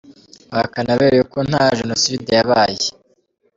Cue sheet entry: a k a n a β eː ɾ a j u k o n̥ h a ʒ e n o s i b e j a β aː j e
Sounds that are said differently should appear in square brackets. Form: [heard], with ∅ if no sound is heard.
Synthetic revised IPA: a k a n a β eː ɾ [e] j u k o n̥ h a ʒ e n o s i [d] e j a β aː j e